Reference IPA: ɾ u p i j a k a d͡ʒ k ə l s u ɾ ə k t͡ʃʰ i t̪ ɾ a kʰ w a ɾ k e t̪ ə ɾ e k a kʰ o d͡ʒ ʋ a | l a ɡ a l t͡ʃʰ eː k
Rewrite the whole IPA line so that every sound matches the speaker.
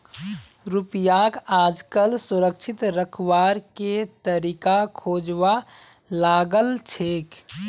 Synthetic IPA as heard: ɾ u p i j a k a d͡ʒ k ə l s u ɾ ə k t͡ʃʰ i t̪ ɾ ə kʰ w a ɾ k e t̪ ə ɾ i k a kʰ o d͡ʒ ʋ a | l a ɡ ə l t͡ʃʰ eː k